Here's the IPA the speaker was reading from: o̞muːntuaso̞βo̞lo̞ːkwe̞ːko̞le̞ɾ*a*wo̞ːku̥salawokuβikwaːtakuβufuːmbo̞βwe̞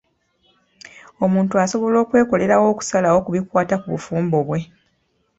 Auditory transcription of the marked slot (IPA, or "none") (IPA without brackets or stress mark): a